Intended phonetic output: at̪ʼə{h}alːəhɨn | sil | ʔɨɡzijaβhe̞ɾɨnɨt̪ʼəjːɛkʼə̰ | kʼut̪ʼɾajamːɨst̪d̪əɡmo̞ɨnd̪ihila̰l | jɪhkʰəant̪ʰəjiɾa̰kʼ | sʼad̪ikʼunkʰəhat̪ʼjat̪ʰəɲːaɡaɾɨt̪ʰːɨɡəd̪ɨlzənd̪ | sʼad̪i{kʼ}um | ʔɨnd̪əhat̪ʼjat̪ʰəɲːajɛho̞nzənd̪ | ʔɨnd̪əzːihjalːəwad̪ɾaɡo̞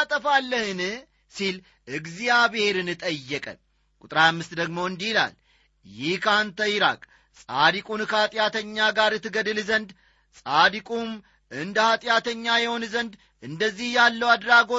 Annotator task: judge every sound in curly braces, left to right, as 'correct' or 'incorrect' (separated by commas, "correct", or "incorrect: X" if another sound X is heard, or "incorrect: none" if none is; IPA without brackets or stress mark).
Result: incorrect: f, correct